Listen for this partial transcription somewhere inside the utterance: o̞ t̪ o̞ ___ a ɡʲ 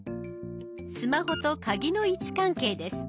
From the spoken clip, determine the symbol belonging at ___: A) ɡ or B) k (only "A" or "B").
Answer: B